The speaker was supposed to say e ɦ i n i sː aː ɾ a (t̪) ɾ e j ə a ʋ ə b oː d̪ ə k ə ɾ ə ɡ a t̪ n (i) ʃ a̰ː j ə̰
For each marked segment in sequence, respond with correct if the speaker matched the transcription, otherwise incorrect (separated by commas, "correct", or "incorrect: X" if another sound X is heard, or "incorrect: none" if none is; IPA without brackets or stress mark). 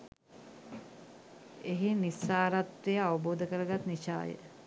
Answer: correct, correct